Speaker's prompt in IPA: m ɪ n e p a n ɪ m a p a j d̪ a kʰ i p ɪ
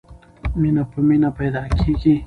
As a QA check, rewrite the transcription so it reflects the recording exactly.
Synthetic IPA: m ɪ n a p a m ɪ n a p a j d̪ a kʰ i k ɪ